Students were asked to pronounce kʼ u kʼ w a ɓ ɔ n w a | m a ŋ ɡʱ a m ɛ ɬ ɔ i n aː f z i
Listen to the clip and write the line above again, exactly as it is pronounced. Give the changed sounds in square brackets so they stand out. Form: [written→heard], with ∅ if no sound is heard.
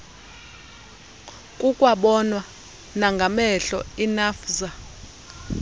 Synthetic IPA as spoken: kʼ u kʼ w a ɓ ɔ n w a | [m→n] a ŋ ɡʱ a m ɛ ɬ ɔ i n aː f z [i→a]